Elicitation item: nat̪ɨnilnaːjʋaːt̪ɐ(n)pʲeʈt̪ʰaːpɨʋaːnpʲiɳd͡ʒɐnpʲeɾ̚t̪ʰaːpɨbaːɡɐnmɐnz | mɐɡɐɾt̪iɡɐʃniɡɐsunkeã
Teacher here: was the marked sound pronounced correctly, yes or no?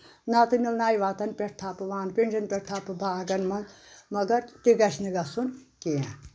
yes